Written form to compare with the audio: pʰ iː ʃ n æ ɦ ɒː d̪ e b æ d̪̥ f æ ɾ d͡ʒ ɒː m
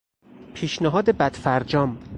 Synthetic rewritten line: pʰ iː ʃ n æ ɦ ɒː d̪ e b æ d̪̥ f æ ɾ d͡ʒ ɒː m